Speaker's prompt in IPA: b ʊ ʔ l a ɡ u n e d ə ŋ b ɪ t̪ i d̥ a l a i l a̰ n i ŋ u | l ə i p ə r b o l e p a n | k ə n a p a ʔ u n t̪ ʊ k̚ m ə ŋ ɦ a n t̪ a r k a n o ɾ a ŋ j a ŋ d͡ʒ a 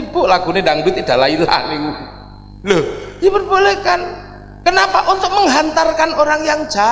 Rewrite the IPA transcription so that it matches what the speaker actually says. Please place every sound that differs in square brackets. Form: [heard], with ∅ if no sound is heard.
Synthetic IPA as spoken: b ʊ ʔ l a ɡ u n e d [a] ŋ b ɪ t̪ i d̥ a l a i l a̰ n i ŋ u | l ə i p ə r b o l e [k] a n | k ə n a p a ʔ u n t̪ ʊ k̚ m ə ŋ ɦ a n t̪ a r k a n o ɾ a ŋ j a ŋ d͡ʒ a